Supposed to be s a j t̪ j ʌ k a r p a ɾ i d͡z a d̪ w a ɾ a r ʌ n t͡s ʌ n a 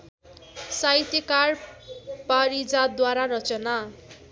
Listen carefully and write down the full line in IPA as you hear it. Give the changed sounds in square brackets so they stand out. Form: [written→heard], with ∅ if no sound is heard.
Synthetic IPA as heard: s a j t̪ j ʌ k a r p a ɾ i d͡z a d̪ w a ɾ a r ʌ [n→∅] t͡s ʌ n a